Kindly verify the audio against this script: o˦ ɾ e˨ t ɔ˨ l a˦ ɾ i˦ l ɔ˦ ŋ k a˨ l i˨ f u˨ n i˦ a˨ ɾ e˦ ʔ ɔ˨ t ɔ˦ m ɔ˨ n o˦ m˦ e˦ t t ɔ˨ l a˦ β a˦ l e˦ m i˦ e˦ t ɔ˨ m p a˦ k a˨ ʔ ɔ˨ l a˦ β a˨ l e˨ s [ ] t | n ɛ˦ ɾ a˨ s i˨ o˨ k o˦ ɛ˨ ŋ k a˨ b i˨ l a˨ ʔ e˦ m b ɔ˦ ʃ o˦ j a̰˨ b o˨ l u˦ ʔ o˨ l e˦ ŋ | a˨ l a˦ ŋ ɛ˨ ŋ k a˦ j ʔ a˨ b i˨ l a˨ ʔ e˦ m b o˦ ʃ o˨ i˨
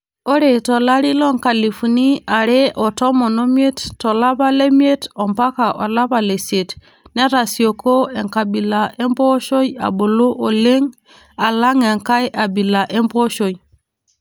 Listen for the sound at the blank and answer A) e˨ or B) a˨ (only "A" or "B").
A